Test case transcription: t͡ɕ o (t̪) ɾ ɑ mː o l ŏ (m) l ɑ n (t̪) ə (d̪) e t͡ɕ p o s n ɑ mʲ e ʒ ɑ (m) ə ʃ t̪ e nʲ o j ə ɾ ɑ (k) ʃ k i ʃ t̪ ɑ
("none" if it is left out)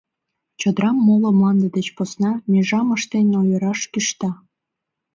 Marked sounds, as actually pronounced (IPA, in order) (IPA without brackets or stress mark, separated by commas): d̪, m, d̪, d̪, m, none